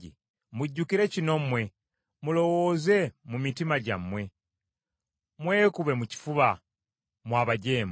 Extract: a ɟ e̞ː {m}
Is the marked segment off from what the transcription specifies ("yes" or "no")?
no